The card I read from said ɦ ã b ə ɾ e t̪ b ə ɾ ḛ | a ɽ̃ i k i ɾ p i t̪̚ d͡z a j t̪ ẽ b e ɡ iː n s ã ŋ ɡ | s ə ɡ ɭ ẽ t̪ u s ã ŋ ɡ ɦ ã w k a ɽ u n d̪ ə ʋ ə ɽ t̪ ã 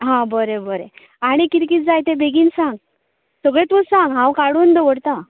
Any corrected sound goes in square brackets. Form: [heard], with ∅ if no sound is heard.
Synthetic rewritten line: ɦ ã b ə ɾ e [∅] b ə ɾ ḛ | a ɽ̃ i k i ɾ [k] i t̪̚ d͡z a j t̪ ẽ b e ɡ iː n s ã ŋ ɡ | s ə ɡ ɭ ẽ t̪ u s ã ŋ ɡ ɦ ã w k a ɽ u n d̪ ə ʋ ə ɽ t̪ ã

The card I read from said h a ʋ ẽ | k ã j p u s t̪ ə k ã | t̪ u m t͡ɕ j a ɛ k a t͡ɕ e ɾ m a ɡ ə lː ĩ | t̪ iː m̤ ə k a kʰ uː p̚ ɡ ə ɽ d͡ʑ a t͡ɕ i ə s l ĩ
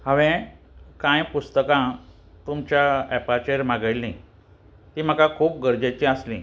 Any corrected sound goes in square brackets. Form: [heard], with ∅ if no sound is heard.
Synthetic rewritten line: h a ʋ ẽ | k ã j p u s t̪ ə k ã | t̪ u m t͡ɕ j a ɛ [p] a t͡ɕ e ɾ m a ɡ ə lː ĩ | t̪ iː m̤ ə k a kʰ uː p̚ ɡ ə [ɾ] d͡ʑ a t͡ɕ i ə s l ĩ

